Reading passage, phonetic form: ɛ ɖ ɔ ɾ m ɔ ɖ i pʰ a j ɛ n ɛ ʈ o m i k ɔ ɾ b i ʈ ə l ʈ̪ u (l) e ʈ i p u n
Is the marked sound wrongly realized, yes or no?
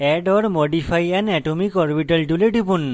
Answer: no